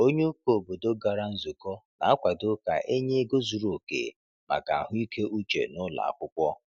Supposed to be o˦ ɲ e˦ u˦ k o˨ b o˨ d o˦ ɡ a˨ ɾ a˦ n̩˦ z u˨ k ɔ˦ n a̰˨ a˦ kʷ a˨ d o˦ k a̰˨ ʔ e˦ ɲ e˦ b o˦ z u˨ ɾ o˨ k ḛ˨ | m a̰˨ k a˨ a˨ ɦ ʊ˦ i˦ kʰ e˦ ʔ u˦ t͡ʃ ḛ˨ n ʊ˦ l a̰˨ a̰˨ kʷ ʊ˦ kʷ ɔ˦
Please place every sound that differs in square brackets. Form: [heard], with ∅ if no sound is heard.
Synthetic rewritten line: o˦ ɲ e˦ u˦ k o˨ b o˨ d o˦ ɡ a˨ ɾ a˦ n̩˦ z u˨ k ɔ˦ n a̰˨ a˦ kʷ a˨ d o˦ k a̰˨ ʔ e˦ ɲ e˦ [ɡ] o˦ z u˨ ɾ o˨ k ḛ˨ | m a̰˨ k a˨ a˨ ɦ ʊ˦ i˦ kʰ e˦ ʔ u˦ t͡ʃ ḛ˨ n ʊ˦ l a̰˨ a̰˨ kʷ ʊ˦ kʷ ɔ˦